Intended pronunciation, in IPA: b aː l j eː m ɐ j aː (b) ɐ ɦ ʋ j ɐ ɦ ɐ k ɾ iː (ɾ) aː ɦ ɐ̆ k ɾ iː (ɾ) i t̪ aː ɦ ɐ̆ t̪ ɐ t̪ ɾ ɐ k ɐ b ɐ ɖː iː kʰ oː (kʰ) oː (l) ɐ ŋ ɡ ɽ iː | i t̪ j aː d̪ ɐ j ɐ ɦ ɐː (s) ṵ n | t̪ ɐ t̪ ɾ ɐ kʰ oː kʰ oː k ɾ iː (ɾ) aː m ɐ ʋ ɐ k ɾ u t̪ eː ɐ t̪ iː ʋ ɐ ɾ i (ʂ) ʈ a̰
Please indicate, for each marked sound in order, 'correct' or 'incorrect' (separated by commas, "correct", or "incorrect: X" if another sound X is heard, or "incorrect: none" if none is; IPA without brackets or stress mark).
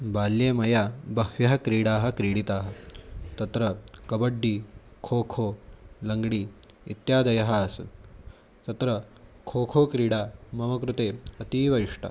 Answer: correct, incorrect: ɽ, incorrect: ɽ, correct, correct, correct, incorrect: ɽ, correct